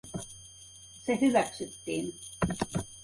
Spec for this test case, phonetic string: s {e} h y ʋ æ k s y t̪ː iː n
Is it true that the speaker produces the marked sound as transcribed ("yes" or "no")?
yes